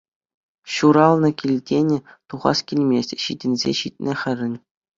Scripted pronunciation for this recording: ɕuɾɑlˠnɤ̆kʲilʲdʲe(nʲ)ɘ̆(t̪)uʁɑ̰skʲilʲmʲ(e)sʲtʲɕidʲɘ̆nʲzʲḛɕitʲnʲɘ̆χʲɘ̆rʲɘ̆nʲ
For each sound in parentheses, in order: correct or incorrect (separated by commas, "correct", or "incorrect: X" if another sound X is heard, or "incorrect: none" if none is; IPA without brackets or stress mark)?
correct, correct, correct